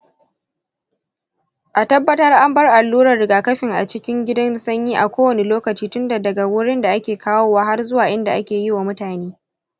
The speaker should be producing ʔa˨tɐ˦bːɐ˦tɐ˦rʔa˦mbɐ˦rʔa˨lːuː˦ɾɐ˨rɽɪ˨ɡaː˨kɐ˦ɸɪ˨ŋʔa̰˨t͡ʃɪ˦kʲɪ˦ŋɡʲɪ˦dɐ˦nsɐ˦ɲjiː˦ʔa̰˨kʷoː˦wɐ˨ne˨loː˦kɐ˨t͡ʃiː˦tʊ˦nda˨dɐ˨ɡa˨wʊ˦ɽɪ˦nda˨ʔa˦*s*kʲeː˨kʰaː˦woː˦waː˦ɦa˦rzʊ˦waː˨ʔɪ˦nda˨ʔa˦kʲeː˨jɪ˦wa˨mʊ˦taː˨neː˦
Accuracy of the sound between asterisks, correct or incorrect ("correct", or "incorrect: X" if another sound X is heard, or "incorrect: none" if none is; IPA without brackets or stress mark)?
incorrect: none